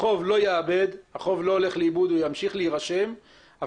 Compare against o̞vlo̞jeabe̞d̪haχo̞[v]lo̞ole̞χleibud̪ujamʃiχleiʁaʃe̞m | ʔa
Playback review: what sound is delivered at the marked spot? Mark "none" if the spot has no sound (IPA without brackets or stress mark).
v